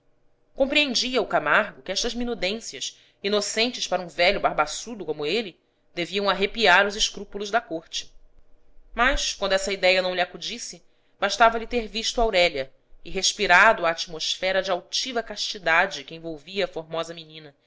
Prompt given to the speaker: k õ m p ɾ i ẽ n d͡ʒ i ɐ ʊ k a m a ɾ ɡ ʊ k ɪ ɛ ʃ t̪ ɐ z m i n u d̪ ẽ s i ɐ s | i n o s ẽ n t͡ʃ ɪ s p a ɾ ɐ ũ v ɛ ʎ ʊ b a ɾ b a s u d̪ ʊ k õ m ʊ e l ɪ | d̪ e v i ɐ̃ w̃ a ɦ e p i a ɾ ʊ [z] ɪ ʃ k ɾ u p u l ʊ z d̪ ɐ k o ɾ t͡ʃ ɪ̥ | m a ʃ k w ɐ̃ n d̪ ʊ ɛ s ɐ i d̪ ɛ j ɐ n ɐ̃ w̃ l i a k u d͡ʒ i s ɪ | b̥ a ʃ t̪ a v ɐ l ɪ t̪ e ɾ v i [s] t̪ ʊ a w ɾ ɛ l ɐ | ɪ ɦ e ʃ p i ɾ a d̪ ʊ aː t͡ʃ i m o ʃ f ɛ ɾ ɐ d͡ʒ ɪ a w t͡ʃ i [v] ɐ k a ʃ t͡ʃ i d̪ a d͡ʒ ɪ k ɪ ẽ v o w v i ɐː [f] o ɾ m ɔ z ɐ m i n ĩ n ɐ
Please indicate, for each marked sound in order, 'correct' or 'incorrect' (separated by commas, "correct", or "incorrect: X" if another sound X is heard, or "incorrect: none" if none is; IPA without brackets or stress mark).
correct, incorrect: ʃ, correct, correct